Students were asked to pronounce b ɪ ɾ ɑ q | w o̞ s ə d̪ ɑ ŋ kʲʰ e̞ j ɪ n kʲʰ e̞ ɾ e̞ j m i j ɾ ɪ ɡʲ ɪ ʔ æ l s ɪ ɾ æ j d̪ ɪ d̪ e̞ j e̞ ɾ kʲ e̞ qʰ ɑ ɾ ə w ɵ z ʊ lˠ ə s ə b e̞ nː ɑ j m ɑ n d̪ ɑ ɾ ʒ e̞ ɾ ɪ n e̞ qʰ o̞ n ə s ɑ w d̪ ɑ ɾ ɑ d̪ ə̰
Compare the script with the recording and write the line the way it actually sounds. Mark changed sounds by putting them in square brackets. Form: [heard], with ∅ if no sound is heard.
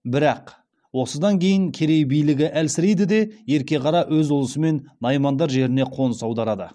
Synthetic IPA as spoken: b ɪ ɾ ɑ q | w o̞ s ə d̪ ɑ ŋ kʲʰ e̞ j ɪ [ŋ] kʲʰ e̞ ɾ e̞ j [b] i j [l] ɪ ɡʲ ɪ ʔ æ l s ɪ ɾ [e] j d̪ ɪ d̪ e̞ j e̞ ɾ kʲ e̞ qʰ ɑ ɾ [ɑ] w ɵ z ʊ lˠ ə s ə [m] e̞ nː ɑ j m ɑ n d̪ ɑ ɾ ʒ e̞ ɾ ɪ n e̞ qʰ o̞ n ə s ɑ w d̪ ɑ ɾ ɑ d̪ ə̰

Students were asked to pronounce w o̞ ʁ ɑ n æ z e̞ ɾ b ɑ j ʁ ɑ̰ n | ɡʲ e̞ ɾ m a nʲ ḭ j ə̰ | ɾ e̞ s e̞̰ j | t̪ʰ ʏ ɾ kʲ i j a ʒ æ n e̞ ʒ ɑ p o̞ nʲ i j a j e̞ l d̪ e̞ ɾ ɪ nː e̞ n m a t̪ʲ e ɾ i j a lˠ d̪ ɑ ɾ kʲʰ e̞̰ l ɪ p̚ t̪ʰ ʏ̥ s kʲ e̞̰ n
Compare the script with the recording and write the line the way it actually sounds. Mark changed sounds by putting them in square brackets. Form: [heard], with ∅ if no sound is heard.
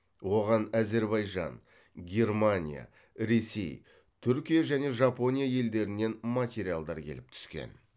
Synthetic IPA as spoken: w o̞ ʁ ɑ n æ z e̞ ɾ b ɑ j [ʒ] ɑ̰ n | ɡʲ e̞ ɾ m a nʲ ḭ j [a̰] | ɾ e̞ s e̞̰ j | t̪ʰ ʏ ɾ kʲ i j a ʒ æ n e̞ ʒ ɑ p o̞ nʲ i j a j e̞ l d̪ e̞ ɾ ɪ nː e̞ n m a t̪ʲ e ɾ i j a lˠ d̪ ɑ ɾ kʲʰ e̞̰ l ɪ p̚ t̪ʰ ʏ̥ s kʲ e̞̰ n

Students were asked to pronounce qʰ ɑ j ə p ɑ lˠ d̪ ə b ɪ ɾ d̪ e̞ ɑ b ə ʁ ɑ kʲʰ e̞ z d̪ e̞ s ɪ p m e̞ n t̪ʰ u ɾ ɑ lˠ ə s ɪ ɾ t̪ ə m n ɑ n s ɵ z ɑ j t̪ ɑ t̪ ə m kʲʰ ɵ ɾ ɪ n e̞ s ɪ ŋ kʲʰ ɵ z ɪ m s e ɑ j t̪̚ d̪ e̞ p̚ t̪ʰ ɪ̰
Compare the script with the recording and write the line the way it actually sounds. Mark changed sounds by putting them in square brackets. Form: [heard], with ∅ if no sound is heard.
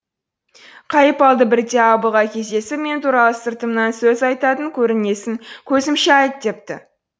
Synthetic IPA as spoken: qʰ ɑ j ə p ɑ lˠ d̪ ə b ɪ ɾ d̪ e̞ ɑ b ə ʁ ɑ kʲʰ e̞ z d̪ e̞ s ɪ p m e̞ n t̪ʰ u ɾ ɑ lˠ ə s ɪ ɾ t̪ ə m n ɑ n s ɵ z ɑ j t̪ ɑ t̪ ə [ŋ] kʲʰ ɵ ɾ ɪ n e̞ s ɪ ŋ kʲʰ ɵ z ɪ m [ʃ] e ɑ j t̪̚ d̪ e̞ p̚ [t̪] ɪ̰

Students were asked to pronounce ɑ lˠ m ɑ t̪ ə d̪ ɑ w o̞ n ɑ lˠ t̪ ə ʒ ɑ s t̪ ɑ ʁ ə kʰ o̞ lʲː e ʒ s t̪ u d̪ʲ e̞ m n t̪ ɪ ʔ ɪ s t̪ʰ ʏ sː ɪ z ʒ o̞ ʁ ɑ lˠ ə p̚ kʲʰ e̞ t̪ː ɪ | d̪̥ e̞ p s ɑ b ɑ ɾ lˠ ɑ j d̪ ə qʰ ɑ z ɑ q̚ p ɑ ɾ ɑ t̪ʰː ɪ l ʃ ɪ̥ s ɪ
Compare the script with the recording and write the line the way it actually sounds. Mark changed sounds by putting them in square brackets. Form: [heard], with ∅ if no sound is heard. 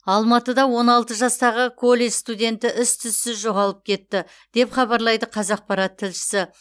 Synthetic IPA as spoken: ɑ lˠ m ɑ t̪ ə d̪ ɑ w o̞ n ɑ lˠ t̪ ə ʒ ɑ s t̪ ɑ ʁ ə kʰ o̞ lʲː e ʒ s t̪ u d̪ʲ e̞ [∅] n t̪ ɪ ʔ ɪ s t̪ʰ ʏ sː ɪ z ʒ o̞ ʁ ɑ lˠ ə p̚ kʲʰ e̞ t̪ː ɪ | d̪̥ e̞ p [χ] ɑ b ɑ ɾ lˠ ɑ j d̪ ə qʰ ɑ z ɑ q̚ p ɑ ɾ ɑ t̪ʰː ɪ l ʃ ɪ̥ s ɪ

